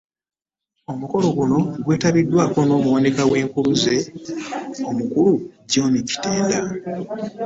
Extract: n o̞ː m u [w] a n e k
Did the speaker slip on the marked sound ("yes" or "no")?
no